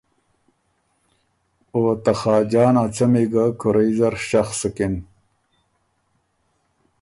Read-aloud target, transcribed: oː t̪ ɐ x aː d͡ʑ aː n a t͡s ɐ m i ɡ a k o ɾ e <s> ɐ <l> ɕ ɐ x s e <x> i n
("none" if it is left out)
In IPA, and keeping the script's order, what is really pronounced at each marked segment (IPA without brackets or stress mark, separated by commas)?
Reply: z, ɾ, k